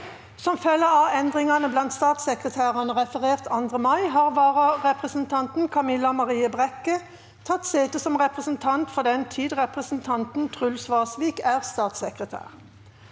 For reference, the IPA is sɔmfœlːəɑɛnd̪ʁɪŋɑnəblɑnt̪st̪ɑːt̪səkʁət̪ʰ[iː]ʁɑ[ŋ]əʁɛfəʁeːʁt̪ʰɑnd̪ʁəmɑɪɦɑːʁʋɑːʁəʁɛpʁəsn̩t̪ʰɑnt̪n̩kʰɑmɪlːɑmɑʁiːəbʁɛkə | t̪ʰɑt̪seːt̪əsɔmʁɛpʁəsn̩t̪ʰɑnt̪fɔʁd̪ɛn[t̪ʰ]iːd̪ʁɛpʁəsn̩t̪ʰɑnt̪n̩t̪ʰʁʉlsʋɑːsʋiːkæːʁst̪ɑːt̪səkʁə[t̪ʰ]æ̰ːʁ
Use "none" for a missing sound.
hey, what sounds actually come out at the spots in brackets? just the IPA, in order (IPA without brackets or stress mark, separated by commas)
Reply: æː, n, t̪ʰ, t̪ʰ